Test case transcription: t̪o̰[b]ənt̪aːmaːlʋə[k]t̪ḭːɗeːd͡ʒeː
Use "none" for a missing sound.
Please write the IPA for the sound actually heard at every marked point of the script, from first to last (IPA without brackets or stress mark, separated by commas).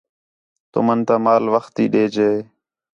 m, x